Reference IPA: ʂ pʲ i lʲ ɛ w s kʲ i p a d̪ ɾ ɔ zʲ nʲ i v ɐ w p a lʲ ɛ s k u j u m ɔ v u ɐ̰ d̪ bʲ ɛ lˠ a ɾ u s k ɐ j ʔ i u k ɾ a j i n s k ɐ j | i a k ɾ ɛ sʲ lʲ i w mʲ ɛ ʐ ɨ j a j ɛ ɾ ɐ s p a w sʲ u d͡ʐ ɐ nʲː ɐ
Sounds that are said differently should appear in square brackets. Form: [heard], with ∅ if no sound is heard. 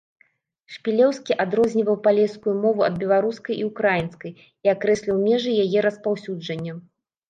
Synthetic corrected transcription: ʂ pʲ i lʲ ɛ w s kʲ i [ʔ] a d̪ ɾ ɔ zʲ nʲ i v ɐ w p a lʲ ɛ s k u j u m ɔ v u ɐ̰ d̪ bʲ ɛ lˠ a ɾ u s k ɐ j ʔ i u k ɾ a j i n s k ɐ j | i a k ɾ ɛ sʲ lʲ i w mʲ ɛ ʐ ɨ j a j ɛ ɾ ɐ s p a w sʲ u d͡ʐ ɐ nʲː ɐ